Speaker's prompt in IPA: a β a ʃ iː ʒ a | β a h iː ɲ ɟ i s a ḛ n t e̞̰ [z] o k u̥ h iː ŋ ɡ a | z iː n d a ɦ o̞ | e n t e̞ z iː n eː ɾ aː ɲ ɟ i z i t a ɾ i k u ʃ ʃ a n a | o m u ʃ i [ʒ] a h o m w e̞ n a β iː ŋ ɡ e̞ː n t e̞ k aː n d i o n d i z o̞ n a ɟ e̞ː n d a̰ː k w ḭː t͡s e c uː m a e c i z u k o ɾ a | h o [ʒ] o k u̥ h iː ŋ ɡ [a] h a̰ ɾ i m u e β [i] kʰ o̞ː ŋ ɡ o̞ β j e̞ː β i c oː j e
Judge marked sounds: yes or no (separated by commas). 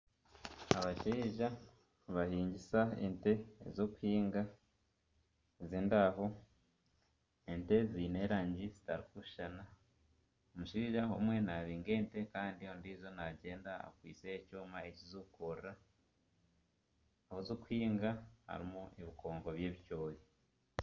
yes, yes, no, yes, yes